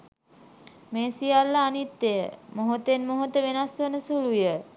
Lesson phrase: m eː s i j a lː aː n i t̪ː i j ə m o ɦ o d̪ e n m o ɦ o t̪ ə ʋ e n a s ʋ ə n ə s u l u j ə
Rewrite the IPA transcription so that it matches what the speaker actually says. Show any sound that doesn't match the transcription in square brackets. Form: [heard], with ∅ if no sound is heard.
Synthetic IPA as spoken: m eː s i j a lː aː n i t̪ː [e] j ə m o ɦ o [t̪] e n m o ɦ o t̪ ə ʋ e n a s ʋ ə n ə s u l u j ə